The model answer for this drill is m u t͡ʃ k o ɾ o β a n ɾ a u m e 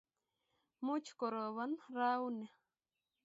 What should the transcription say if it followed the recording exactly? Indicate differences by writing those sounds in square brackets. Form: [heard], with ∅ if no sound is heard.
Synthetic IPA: m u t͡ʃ k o ɾ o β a n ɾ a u [n] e